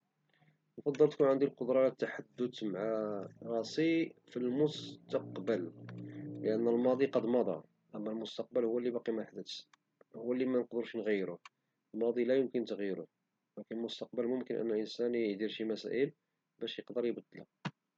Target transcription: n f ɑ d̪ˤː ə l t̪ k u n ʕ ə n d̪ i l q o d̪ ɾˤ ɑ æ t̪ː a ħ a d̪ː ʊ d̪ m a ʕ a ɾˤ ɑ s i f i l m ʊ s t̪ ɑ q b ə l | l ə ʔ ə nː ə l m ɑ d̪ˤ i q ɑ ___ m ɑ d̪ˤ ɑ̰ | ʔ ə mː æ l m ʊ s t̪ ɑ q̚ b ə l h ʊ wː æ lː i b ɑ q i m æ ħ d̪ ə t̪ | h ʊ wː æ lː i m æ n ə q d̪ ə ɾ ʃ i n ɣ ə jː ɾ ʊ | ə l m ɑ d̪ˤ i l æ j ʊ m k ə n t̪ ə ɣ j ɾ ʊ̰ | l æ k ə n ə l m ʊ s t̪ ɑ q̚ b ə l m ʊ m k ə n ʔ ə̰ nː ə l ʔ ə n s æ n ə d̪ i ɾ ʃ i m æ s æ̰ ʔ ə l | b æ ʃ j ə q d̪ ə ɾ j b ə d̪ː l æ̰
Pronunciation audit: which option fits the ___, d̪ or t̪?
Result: d̪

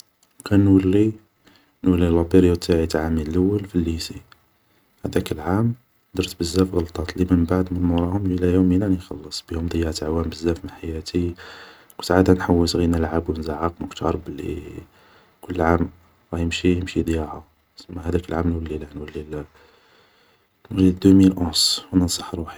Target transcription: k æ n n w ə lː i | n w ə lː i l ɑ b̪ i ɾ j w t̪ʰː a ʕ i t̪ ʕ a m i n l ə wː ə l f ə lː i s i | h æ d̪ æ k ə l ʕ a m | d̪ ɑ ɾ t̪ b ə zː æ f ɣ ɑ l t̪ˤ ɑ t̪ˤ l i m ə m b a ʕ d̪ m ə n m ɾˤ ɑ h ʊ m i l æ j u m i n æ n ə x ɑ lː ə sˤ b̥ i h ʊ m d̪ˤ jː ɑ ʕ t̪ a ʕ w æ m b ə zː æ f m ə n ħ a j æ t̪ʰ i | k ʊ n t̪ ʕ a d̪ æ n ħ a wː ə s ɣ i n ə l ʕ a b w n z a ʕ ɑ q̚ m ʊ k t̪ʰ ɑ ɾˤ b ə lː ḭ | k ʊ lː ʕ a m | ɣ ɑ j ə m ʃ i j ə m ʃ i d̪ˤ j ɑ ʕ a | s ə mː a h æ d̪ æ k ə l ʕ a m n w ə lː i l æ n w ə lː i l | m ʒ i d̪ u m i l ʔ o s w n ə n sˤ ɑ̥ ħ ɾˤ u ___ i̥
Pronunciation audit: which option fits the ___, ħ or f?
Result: ħ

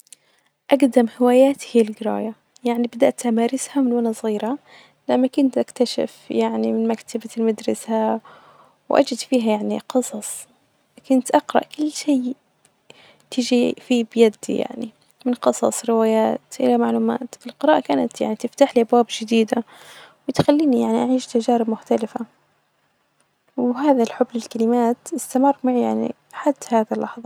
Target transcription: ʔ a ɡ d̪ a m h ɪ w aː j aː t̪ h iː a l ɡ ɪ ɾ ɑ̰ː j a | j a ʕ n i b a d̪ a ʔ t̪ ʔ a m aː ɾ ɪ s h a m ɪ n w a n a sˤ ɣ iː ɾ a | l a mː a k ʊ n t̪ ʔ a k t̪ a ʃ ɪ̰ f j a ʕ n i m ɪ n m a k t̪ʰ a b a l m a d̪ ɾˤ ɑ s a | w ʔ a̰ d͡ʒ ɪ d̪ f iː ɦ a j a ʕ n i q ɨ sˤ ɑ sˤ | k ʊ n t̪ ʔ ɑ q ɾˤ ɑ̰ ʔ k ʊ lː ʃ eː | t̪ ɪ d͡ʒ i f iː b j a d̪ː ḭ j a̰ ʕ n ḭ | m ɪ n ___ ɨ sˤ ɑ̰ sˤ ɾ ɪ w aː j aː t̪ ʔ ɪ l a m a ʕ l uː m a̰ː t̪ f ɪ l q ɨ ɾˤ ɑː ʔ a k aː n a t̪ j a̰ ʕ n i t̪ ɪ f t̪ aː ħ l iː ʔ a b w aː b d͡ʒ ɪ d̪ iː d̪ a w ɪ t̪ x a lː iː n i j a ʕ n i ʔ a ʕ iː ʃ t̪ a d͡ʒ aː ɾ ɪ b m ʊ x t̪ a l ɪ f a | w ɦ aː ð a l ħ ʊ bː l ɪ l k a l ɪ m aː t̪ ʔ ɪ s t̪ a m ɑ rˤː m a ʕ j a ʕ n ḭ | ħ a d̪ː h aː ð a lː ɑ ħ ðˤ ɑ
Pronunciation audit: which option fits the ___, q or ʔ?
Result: q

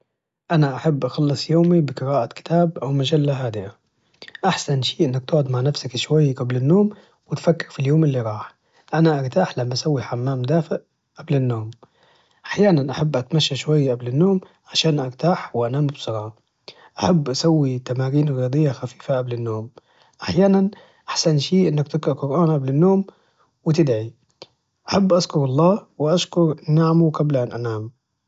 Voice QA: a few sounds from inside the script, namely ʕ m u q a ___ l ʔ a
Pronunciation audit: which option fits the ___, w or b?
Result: b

